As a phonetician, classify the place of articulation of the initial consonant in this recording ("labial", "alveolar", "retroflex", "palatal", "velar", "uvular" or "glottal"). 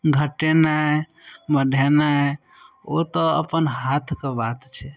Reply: velar